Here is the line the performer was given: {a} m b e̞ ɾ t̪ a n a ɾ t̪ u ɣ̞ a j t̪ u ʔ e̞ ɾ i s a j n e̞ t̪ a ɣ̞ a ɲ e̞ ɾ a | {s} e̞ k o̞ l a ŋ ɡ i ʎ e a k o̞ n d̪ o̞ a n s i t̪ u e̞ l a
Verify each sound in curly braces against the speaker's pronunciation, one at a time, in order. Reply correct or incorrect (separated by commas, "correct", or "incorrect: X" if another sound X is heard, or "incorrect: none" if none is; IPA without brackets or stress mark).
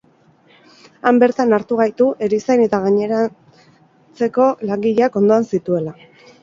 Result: correct, incorrect: t͡s